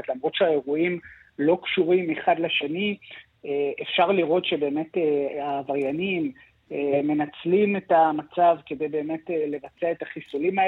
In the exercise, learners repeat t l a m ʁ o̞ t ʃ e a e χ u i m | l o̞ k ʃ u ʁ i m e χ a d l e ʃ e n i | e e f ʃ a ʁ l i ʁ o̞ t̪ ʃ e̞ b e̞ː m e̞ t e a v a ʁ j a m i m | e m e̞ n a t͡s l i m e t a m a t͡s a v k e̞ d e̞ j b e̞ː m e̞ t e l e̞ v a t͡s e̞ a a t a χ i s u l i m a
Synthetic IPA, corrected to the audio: t l a m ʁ o̞ t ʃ e a e ʁ u i m | l o̞ k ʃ u ʁ i m e χ a d l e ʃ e n i | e e f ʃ a ʁ l i ʁ o̞ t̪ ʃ e̞ b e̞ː m e̞ t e a v a ʁ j a n i m | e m e̞ n a t͡s l i m e t a m a t͡s a v k e̞ d e̞ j b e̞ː m e̞ t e l e̞ v a t͡s e̞ a e t a χ i s u l i m a